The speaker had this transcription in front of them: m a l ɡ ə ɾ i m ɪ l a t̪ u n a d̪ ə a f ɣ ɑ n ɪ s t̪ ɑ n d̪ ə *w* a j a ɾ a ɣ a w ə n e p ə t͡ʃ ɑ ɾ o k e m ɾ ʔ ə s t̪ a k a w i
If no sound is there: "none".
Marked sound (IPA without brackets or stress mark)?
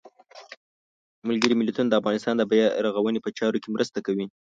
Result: b